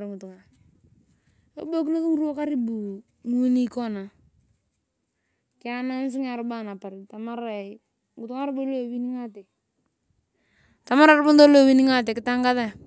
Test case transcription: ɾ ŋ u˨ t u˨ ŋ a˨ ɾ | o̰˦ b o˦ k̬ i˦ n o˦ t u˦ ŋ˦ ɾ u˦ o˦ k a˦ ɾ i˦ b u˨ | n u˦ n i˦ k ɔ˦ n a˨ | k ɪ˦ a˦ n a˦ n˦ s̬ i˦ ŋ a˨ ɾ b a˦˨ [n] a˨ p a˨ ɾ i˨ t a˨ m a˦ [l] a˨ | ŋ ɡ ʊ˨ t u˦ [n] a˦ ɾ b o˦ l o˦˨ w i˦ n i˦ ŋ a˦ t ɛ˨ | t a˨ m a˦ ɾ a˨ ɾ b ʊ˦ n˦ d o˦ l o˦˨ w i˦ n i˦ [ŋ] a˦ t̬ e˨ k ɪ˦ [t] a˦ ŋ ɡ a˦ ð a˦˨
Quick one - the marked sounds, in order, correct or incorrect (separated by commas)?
correct, incorrect, incorrect, correct, correct